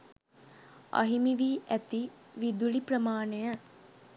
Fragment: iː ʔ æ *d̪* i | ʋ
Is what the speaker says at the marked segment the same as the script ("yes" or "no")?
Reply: no